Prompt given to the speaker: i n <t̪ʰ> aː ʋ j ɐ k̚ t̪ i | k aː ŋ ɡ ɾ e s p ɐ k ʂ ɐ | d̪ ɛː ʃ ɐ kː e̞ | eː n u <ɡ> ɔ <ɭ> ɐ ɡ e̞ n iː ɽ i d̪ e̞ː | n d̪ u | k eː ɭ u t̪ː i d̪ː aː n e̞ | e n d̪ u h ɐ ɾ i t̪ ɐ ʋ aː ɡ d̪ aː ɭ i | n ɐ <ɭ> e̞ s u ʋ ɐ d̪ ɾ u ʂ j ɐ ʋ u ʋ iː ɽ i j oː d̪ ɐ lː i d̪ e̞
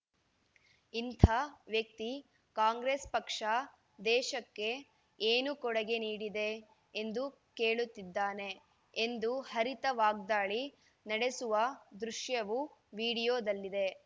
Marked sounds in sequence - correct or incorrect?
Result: correct, incorrect: k, incorrect: ɽ, incorrect: ɽ

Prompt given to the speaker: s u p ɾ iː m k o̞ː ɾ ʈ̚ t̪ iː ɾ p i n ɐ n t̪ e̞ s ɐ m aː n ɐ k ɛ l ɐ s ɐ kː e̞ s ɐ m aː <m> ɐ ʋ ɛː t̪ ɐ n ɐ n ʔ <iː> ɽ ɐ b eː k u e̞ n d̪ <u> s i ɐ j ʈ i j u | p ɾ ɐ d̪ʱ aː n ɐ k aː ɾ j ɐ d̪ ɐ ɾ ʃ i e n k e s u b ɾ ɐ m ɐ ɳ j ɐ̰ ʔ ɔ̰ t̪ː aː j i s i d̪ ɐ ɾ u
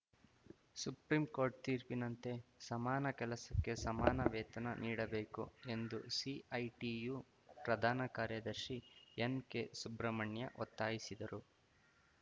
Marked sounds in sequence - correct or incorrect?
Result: incorrect: n, correct, correct

